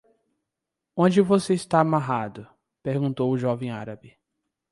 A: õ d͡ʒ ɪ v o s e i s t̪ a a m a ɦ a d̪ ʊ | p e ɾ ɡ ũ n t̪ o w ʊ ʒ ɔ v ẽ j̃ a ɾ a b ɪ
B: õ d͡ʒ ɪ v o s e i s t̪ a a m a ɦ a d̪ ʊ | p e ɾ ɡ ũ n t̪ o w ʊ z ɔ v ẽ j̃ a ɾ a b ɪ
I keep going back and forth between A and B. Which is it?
A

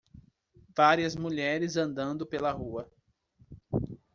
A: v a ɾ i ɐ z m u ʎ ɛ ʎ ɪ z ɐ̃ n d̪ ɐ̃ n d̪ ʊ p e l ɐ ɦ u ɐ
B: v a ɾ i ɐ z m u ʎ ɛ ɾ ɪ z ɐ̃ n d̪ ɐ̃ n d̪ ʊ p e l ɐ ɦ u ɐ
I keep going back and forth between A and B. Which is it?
B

